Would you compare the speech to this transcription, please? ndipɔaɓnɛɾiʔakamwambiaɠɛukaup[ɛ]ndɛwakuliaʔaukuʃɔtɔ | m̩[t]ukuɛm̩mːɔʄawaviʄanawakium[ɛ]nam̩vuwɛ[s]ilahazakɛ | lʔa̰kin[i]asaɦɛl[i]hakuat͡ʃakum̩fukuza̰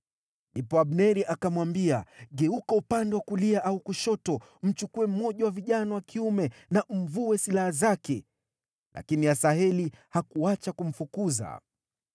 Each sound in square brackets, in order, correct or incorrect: incorrect: a, incorrect: t͡ʃ, correct, correct, correct, correct

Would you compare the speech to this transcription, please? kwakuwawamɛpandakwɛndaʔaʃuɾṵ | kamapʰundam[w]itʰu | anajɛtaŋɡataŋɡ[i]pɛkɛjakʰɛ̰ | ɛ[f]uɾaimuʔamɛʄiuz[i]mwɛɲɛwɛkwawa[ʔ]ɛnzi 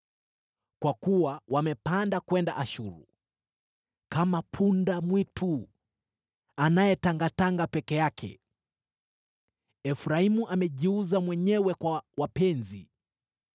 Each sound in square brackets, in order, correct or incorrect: correct, incorrect: a, correct, incorrect: a, incorrect: p

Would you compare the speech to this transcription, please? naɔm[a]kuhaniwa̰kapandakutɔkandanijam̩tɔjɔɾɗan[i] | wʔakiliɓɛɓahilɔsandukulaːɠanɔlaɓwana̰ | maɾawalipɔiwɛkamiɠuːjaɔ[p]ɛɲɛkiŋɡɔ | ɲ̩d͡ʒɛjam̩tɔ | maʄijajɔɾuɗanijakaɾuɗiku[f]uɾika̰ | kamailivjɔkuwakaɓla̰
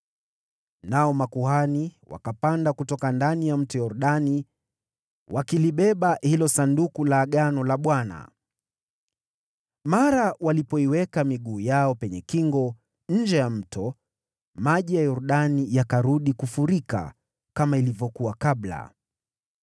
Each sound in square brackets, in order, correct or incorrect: correct, correct, correct, correct

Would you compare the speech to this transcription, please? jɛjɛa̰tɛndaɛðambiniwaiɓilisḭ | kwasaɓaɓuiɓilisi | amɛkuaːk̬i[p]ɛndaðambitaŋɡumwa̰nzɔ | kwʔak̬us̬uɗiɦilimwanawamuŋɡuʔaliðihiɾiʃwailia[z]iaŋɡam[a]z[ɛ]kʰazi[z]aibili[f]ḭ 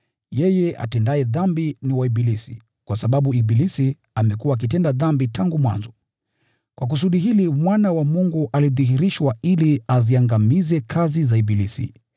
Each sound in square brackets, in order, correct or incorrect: incorrect: t, correct, incorrect: i, correct, correct, incorrect: s

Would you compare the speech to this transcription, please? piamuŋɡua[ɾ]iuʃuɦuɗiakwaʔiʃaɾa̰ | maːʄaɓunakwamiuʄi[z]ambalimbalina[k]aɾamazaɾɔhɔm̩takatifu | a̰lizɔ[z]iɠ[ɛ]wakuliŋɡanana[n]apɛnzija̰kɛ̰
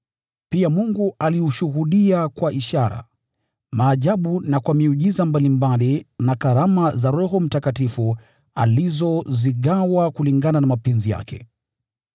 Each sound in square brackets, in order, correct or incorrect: incorrect: l, correct, correct, correct, incorrect: a, incorrect: m

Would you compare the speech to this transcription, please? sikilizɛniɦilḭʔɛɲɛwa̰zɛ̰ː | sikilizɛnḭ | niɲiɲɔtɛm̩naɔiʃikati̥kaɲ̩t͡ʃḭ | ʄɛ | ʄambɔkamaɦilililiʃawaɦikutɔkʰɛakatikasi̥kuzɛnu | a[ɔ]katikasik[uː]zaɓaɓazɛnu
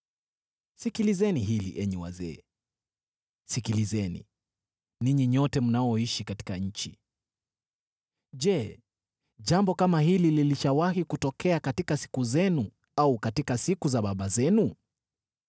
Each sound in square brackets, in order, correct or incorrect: incorrect: u, incorrect: u

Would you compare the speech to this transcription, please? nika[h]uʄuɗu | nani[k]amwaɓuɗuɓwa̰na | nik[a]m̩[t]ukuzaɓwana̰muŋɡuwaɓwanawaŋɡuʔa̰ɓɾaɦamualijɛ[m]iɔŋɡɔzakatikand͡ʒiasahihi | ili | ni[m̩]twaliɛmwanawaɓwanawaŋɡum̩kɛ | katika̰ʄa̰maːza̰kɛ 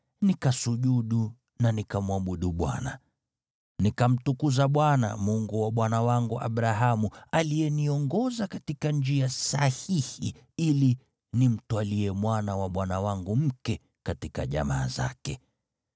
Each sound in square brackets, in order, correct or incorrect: incorrect: s, correct, correct, correct, incorrect: n, correct

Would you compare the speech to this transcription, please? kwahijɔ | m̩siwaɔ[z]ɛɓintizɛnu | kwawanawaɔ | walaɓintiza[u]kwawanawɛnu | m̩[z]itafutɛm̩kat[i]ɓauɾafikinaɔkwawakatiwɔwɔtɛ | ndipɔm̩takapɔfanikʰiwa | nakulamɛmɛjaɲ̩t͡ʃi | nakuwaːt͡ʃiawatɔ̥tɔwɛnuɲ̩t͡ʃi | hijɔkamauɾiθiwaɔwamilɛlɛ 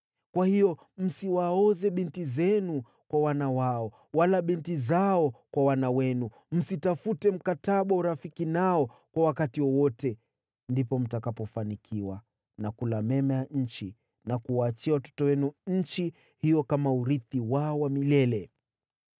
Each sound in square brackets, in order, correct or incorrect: correct, incorrect: ɔ, incorrect: s, incorrect: a

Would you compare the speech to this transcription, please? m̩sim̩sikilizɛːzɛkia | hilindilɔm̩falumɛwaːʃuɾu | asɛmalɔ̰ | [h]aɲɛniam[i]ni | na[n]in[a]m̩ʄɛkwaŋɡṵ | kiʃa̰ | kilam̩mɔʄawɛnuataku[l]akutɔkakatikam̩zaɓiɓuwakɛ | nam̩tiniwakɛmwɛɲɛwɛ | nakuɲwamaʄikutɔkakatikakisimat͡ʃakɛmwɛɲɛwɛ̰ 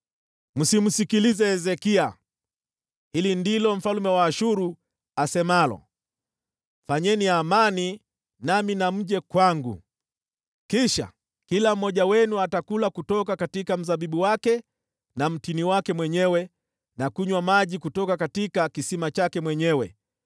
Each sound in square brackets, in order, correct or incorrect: incorrect: f, incorrect: a, incorrect: m, correct, correct

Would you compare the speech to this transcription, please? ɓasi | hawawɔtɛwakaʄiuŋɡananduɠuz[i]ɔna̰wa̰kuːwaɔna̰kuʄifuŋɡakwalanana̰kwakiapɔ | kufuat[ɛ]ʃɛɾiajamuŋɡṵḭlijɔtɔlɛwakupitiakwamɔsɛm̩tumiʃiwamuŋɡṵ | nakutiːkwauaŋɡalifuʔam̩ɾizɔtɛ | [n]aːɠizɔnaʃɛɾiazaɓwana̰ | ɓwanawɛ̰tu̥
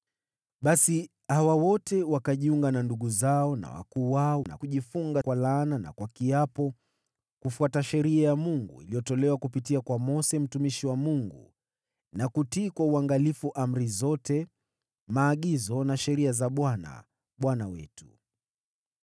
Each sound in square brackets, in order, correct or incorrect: incorrect: a, incorrect: a, incorrect: m

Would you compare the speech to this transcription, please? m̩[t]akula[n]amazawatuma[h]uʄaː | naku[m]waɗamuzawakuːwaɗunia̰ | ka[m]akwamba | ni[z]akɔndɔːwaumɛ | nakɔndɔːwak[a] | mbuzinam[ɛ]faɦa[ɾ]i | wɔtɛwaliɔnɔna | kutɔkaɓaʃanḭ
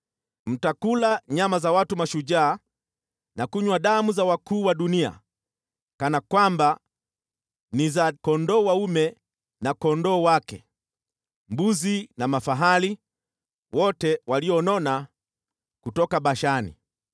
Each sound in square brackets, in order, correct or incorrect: correct, incorrect: ɲ, incorrect: ʃ, incorrect: ɲ, incorrect: n, correct, incorrect: ɛ, incorrect: a, incorrect: l

